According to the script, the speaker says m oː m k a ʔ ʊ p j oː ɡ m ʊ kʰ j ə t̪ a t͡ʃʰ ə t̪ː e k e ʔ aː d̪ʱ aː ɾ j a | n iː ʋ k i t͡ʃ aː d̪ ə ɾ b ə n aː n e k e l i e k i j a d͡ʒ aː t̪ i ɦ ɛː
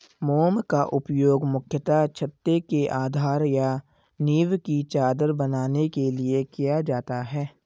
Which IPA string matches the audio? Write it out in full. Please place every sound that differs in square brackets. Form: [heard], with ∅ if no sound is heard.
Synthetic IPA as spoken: m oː m k a ʔ ʊ p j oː ɡ m ʊ kʰ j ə t̪ a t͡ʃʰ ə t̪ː e k e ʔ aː d̪ʱ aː ɾ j a | n iː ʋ k i t͡ʃ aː d̪ ə ɾ b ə n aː n e k e l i e k i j a d͡ʒ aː t̪ [a] ɦ ɛː